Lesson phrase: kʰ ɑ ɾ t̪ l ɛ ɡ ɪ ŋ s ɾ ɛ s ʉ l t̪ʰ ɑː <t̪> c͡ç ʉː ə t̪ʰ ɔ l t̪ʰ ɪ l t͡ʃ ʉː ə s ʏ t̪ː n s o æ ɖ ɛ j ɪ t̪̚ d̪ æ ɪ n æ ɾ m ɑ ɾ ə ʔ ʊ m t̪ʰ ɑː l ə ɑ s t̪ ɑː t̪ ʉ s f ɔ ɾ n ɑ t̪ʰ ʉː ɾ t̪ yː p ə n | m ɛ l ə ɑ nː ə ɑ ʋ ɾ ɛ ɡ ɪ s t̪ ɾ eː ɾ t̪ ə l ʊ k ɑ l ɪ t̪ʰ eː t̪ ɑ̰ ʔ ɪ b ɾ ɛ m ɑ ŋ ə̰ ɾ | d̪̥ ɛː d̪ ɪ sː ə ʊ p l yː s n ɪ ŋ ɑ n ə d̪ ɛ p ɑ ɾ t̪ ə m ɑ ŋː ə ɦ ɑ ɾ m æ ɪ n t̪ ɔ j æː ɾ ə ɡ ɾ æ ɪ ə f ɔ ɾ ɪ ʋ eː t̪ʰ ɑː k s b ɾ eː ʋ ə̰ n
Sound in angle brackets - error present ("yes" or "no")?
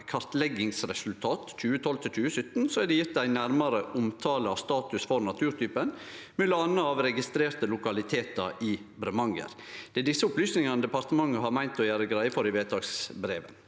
no